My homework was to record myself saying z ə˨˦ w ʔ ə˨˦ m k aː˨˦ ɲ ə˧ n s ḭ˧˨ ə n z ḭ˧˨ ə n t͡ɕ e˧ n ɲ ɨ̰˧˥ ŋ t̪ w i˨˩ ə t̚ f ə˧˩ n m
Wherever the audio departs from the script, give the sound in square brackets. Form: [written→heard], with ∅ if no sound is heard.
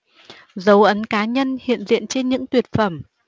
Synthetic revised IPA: z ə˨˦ w ʔ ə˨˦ [m→n] k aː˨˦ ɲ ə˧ n [s→h] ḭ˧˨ ə n z ḭ˧˨ ə n t͡ɕ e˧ n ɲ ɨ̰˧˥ ŋ t̪ w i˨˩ ə t̚ f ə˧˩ [n→∅] m